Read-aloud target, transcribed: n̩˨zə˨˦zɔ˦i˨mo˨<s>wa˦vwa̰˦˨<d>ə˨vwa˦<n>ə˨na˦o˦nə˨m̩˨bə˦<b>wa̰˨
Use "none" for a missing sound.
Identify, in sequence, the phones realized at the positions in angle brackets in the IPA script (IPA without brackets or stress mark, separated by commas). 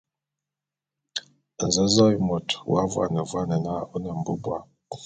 t, n, n, b